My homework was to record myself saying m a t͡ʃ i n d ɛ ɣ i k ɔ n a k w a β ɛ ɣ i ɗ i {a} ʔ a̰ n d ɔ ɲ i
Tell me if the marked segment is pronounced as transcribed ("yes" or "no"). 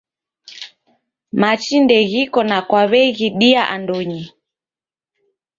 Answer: yes